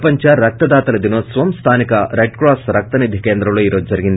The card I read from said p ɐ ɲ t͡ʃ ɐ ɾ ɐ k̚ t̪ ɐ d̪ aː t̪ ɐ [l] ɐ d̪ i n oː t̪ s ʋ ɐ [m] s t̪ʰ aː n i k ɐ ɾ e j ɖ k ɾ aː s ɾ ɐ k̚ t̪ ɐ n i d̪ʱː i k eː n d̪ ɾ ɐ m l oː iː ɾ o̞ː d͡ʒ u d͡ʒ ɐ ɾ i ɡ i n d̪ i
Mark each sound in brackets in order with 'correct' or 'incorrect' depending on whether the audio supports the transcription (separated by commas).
correct, correct